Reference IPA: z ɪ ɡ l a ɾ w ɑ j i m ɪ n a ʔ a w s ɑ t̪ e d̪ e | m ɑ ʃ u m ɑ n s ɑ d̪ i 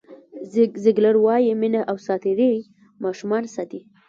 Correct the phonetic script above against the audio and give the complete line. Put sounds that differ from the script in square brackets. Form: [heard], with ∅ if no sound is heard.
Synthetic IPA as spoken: z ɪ ɡ l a ɾ w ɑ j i m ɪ n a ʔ a w s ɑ t̪ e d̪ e | m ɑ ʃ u m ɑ n s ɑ [t̪] i